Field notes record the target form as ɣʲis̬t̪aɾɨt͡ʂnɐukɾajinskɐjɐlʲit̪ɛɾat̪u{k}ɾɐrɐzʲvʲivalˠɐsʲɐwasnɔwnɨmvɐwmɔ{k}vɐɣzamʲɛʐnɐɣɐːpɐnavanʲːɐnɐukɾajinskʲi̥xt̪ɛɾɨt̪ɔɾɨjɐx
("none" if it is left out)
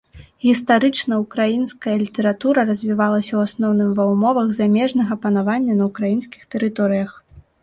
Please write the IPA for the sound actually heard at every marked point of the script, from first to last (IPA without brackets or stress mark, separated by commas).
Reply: none, none